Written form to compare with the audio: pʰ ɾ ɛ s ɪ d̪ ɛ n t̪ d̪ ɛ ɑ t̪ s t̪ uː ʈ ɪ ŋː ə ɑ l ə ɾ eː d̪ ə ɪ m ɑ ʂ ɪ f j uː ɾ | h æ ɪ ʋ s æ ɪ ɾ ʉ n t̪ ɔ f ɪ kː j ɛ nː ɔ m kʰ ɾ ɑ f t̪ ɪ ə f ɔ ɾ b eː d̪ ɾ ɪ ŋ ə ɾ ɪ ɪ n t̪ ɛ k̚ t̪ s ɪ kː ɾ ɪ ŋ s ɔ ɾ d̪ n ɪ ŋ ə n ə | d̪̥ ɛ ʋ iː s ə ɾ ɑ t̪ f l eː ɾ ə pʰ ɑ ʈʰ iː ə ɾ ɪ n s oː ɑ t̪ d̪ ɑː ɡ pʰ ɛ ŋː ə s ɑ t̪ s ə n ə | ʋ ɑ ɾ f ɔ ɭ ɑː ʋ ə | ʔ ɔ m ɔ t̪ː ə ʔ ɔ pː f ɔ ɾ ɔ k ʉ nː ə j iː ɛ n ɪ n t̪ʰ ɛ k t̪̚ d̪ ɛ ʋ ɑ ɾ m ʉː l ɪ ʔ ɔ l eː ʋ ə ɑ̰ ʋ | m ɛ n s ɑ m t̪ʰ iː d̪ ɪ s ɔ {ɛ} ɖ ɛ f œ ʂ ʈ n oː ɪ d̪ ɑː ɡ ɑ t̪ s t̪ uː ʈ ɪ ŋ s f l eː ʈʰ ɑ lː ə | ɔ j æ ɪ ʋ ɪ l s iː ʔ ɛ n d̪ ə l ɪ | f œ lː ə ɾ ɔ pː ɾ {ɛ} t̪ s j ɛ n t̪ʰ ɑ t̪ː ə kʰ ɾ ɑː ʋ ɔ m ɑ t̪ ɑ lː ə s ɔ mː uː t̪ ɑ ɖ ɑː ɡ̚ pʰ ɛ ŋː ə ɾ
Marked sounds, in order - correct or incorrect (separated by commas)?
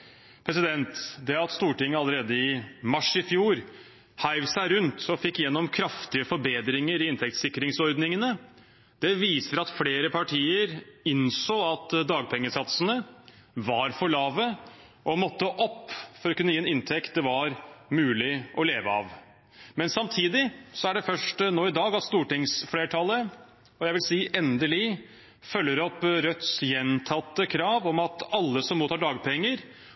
incorrect, incorrect